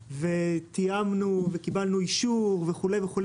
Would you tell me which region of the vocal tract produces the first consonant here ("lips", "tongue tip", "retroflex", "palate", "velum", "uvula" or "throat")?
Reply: lips